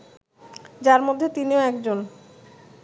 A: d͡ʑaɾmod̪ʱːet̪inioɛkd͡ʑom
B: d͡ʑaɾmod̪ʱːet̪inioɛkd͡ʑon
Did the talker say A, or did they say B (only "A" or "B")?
B